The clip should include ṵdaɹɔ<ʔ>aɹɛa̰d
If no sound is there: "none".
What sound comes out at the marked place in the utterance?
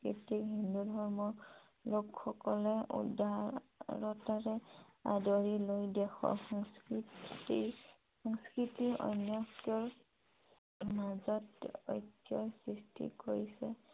t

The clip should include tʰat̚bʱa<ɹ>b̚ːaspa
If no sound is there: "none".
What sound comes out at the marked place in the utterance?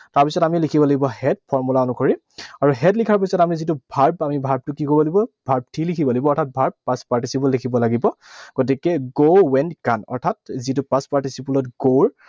ɹ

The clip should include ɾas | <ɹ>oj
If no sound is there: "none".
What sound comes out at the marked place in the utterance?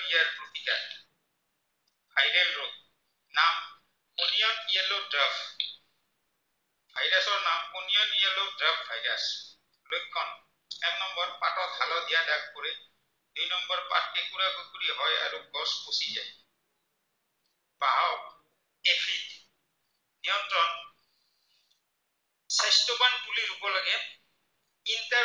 l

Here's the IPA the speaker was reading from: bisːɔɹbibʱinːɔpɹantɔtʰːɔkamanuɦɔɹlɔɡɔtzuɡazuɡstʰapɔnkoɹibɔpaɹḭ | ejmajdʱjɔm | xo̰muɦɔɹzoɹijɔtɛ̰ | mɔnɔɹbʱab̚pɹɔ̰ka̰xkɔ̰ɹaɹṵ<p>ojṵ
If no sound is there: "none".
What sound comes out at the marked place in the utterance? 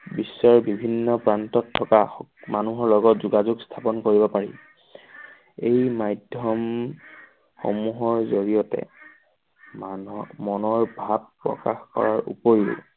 p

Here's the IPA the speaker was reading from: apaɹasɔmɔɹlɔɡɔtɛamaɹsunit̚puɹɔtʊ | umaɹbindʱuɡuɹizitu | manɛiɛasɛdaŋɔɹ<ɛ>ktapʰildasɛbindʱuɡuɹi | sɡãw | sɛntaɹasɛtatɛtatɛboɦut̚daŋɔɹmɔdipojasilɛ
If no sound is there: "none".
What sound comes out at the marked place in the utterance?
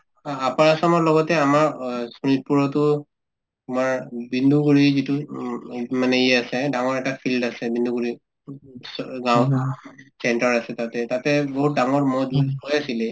ɛ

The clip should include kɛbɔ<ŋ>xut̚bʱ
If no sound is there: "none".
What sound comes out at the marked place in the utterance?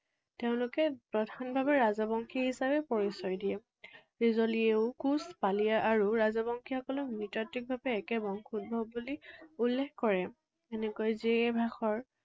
ŋ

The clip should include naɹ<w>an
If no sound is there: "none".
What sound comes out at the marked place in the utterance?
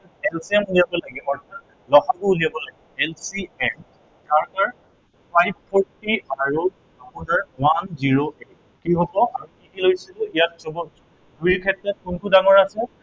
w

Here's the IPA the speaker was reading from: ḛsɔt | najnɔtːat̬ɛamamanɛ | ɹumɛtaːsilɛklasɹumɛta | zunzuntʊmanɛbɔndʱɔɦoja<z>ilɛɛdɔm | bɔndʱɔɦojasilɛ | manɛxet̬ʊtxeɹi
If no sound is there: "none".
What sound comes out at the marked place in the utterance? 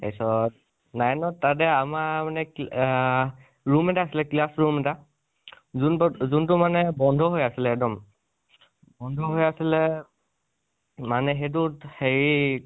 s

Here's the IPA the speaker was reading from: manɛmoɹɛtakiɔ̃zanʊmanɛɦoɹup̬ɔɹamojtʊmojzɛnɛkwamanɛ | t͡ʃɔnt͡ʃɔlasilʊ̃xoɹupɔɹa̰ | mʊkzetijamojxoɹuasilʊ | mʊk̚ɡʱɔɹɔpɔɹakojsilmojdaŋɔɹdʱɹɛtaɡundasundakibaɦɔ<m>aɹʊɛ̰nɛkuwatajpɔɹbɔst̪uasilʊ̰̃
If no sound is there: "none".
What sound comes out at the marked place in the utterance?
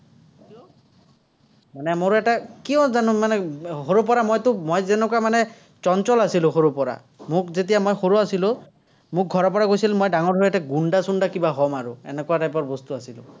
m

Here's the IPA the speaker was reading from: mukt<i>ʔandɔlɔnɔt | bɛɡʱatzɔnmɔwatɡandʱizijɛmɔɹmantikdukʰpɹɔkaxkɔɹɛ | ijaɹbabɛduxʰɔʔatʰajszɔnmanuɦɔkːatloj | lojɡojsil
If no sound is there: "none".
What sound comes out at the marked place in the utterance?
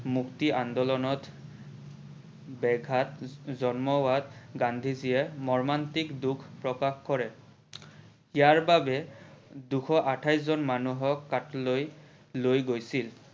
i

